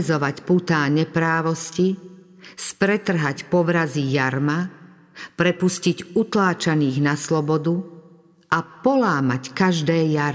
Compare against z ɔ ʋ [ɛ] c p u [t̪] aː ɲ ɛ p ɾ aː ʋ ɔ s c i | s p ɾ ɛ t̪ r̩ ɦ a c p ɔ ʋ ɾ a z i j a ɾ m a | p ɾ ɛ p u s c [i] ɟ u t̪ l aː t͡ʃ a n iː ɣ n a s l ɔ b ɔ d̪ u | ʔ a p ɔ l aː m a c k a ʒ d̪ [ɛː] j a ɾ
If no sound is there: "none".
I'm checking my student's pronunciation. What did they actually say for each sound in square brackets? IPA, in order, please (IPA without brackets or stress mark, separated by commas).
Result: a, t̪, i, ɛː